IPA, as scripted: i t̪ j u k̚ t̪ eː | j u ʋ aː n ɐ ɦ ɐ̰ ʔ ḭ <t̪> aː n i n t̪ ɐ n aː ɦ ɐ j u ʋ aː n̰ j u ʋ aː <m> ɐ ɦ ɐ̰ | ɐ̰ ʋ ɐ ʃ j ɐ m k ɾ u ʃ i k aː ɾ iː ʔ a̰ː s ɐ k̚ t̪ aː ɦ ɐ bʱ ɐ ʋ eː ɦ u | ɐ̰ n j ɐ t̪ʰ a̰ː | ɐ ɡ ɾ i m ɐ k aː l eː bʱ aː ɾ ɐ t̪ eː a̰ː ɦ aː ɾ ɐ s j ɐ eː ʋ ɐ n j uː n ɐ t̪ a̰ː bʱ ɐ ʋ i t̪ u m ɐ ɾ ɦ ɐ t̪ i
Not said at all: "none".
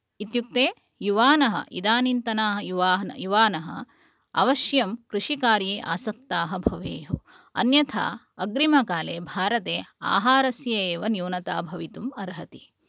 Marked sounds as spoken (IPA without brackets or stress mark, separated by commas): d̪, n